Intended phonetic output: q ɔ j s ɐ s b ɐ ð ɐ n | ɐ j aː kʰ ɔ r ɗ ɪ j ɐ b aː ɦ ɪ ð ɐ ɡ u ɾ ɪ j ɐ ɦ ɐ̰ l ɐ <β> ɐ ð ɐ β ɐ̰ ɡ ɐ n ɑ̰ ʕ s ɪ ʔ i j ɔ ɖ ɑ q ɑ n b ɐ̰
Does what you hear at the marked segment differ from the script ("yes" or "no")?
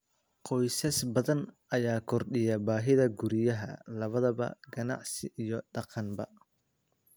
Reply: no